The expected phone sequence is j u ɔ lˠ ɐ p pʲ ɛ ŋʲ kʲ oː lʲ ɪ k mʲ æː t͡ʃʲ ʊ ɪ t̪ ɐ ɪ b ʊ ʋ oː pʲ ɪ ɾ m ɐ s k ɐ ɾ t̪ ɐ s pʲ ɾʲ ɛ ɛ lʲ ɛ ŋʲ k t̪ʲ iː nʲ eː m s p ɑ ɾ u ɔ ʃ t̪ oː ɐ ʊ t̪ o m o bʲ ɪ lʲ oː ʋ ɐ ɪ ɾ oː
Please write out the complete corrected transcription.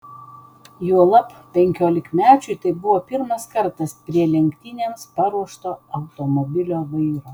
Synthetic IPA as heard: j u ɔ lˠ ɐ p pʲ ɛ ŋʲ kʲ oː lʲ ɪ k mʲ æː t͡ʃʲ ʊ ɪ t̪ ɐ ɪ b ʊ ʋ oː pʲ ɪ ɾ m ɐ s k ɐ ɾ t̪ ɐ s pʲ ɾʲ i ɛ lʲ ɛ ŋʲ k t̪ʲ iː nʲ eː m s p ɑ ɾ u ɔ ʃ t̪ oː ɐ ʊ t̪ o m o bʲ ɪ lʲ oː ʋ ɐ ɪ ɾ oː